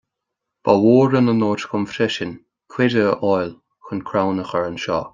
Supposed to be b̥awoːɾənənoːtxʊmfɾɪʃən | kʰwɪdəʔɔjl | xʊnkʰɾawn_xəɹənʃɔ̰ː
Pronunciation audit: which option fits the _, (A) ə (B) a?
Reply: A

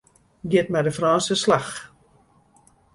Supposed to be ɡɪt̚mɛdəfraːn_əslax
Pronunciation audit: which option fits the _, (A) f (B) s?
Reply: B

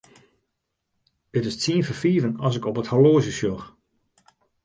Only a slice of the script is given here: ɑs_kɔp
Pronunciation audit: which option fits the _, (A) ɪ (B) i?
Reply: A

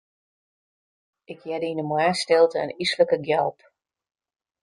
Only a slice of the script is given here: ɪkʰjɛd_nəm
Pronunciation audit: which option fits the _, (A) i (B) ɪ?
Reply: A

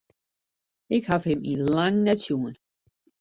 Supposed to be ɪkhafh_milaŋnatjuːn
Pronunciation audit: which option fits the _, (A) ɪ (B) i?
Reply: A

